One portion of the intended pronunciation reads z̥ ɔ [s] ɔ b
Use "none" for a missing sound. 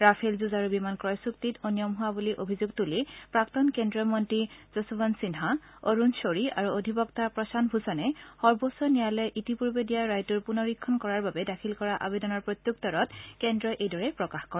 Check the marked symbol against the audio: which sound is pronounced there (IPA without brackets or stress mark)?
s